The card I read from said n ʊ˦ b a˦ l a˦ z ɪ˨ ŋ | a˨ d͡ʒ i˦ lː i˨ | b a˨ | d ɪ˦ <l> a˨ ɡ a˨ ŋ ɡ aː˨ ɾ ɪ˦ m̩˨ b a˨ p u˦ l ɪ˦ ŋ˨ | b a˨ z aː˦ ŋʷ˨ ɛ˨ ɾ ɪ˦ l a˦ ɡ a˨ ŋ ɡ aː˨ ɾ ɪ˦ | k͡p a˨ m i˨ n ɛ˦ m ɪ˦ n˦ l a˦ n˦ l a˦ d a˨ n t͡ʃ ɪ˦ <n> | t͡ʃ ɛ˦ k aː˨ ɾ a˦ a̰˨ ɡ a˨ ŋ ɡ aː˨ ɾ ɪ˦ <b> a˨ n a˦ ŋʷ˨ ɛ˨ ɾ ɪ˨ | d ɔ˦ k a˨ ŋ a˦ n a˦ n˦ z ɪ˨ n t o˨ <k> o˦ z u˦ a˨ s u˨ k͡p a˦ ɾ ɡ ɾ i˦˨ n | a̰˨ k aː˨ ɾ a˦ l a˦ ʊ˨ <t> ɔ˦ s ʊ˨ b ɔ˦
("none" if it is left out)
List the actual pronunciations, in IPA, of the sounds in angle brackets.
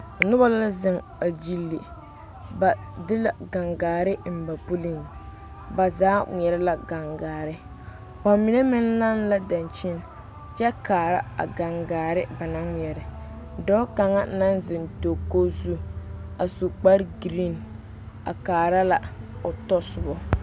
l, n, b, k, t

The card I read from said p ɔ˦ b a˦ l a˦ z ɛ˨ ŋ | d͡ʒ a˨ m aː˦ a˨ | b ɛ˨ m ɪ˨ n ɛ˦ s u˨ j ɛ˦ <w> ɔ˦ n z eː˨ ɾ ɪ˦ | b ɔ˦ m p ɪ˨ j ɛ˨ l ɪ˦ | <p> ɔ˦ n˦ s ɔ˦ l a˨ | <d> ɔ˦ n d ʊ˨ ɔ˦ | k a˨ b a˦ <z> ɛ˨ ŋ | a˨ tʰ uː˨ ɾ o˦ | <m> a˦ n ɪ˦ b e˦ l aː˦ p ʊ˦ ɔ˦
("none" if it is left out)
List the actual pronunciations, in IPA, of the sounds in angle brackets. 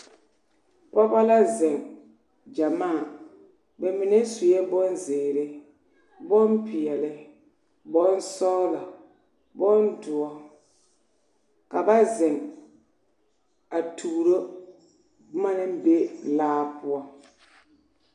b, b, b, z, m

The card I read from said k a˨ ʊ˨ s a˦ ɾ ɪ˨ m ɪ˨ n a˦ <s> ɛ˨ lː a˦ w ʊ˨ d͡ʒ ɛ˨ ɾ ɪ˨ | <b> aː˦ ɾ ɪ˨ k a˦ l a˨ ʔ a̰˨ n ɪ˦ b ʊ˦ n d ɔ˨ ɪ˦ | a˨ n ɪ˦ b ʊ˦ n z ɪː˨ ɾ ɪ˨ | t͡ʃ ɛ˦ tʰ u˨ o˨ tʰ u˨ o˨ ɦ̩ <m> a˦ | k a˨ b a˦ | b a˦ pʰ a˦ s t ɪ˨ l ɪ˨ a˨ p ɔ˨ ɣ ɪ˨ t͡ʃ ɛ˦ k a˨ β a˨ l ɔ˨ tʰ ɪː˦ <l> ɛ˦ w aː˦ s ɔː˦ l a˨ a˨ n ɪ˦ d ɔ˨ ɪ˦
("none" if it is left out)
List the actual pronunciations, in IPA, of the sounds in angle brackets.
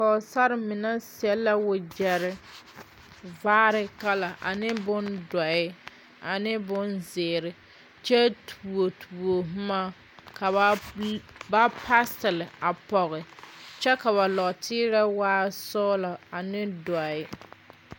s, v, m, ɾ

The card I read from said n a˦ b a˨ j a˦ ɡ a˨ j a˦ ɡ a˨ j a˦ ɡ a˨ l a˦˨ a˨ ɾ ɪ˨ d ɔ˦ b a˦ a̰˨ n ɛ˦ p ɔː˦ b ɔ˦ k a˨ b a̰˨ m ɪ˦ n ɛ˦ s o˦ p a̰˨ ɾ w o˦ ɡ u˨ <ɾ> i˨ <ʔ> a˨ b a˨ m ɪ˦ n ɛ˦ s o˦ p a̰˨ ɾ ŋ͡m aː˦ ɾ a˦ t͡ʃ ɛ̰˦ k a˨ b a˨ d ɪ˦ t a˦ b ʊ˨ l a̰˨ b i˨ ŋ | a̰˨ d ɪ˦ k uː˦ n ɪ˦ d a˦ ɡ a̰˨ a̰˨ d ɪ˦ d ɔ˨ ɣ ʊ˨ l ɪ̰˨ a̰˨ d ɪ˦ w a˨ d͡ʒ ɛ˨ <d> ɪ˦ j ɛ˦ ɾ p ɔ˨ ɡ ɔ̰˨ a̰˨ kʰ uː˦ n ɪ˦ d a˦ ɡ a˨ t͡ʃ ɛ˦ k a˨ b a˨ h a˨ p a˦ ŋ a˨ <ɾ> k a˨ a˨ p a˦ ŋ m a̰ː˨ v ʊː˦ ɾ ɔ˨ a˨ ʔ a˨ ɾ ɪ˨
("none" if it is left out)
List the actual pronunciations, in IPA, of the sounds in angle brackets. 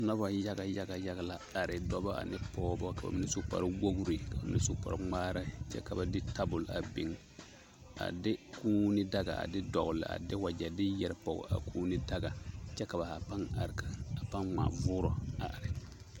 ɾ, k, d, ɾ

